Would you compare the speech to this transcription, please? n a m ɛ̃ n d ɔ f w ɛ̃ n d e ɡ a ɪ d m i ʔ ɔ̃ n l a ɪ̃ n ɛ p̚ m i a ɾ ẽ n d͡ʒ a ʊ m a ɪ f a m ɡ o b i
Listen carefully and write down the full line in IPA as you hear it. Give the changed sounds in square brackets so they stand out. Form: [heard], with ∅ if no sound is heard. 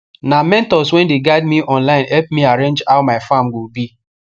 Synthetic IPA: n a m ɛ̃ n [t] ɔ [s] w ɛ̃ n d e ɡ a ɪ d m i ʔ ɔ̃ n l a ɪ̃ n ɛ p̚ m i a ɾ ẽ n d͡ʒ a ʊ m a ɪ f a m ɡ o b i